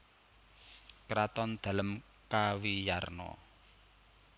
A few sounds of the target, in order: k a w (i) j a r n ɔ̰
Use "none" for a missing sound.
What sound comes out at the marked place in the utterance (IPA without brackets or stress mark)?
i